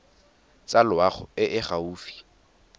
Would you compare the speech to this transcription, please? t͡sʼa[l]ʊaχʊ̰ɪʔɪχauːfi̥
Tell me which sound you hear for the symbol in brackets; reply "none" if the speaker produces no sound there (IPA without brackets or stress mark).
l